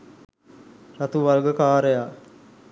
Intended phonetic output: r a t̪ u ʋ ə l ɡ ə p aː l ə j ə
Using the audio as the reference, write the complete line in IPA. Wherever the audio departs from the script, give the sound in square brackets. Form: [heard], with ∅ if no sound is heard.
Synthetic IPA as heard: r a t̪ u ʋ [a] l ɡ ə [k] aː [ɾ] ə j [a]